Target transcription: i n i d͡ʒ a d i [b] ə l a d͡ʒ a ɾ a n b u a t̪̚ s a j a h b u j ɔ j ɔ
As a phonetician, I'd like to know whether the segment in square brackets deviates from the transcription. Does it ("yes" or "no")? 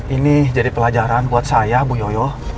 yes